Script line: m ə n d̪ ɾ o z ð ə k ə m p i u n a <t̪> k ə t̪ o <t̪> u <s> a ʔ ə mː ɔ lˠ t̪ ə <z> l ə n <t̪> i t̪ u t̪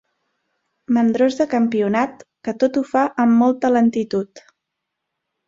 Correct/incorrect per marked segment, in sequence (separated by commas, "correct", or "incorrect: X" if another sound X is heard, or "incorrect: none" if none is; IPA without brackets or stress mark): correct, correct, incorrect: f, incorrect: none, correct